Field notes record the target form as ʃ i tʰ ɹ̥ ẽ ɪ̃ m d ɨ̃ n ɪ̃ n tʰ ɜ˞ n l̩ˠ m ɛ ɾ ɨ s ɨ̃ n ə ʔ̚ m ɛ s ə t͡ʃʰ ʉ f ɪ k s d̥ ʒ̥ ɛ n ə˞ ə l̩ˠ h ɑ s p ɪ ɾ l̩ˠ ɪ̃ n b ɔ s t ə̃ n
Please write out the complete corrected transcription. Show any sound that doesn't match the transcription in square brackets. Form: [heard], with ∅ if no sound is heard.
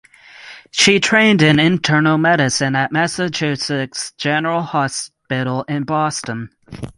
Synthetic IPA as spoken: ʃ i tʰ ɹ̥ ẽ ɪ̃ [n] d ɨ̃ n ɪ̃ n tʰ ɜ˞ n l̩ˠ m ɛ ɾ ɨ s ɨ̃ n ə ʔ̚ m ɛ s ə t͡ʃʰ ʉ [s] ɪ k s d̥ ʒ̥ ɛ n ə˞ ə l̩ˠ h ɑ s p ɪ ɾ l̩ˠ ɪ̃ n b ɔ s t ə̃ n